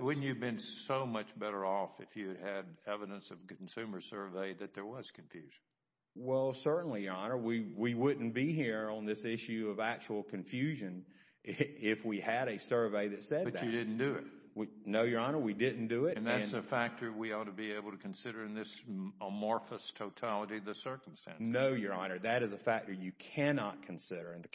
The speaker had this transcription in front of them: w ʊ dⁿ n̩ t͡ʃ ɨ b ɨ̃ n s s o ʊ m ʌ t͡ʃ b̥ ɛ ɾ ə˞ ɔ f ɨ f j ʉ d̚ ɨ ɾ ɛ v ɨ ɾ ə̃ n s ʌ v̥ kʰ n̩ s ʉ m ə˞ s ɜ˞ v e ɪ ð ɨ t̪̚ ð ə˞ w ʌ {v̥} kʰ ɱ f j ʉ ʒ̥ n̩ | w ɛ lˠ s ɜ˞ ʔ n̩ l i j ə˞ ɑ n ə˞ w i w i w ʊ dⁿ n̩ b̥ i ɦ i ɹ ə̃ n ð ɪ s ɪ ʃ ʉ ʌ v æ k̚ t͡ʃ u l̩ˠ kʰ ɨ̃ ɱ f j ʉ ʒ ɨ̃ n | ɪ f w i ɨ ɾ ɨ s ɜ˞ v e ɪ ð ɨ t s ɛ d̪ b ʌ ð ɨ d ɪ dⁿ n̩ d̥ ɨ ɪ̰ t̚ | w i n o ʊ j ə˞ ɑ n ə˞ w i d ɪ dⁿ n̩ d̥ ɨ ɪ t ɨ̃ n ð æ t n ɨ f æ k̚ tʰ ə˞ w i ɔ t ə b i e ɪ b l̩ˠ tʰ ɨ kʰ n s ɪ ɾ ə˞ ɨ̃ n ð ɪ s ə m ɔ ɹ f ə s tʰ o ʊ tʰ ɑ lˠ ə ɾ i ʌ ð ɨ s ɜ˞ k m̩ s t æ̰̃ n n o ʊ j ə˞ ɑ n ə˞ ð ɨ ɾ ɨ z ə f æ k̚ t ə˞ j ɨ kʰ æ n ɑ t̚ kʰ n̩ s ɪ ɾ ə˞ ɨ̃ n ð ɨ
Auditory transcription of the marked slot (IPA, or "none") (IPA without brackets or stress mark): z̥